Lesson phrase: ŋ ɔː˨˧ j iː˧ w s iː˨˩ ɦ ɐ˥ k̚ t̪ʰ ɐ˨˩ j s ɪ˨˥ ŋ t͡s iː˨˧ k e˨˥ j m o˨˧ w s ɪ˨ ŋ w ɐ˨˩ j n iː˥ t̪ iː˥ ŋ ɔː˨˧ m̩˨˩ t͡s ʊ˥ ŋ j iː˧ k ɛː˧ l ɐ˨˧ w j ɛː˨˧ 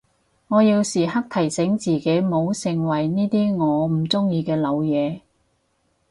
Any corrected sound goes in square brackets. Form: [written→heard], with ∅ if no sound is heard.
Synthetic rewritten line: ŋ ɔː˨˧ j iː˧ w s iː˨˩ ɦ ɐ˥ k̚ t̪ʰ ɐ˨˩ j s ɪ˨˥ ŋ t͡s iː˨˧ k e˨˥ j m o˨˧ w s ɪ˨ ŋ w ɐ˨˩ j n iː˥ t̪ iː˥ ŋ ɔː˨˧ m̩˨˩ t͡s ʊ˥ ŋ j iː˧ k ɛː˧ l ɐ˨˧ w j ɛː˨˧